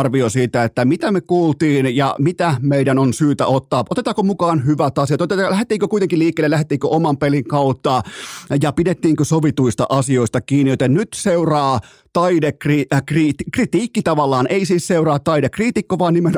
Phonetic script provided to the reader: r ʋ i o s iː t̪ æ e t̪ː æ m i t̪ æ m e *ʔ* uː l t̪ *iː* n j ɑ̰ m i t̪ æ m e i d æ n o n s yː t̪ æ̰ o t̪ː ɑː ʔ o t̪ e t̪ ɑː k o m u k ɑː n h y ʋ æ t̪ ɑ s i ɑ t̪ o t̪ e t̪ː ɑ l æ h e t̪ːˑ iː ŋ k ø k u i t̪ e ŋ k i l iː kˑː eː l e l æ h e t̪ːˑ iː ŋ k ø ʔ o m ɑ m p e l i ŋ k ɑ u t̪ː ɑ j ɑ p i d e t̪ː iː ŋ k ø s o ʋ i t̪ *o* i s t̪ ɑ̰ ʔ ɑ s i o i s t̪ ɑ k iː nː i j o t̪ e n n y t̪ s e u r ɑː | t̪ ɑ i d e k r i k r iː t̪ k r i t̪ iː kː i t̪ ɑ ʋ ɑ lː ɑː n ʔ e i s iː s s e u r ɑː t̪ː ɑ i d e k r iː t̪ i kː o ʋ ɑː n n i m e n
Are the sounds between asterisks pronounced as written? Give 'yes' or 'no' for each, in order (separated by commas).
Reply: no, yes, no